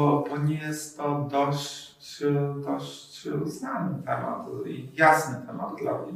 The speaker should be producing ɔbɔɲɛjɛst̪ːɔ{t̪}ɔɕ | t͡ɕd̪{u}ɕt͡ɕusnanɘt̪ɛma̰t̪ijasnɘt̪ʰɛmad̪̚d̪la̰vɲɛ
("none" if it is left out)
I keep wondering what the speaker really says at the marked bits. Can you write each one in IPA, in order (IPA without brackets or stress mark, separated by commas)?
d̪, ɔ